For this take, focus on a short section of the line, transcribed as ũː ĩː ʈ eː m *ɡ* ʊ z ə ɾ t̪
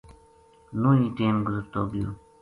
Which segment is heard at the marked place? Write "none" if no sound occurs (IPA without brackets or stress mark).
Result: ɡ